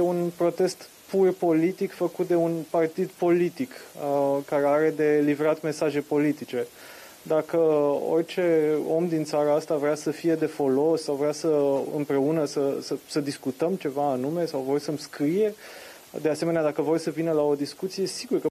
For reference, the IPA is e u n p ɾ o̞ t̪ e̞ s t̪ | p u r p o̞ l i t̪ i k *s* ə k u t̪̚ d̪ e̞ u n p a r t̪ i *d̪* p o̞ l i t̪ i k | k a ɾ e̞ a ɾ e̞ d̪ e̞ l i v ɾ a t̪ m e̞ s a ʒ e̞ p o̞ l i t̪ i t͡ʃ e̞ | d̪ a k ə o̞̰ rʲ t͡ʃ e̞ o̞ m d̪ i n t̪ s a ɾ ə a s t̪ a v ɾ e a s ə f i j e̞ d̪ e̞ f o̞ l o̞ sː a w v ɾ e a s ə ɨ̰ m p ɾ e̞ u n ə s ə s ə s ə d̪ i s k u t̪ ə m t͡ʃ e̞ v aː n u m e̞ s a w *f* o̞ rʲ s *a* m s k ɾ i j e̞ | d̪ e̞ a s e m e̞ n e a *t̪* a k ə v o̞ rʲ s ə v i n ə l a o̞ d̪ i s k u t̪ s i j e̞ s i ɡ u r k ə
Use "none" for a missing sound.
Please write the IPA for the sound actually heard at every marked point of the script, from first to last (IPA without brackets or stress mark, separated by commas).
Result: f, d̪, v, ə, d̪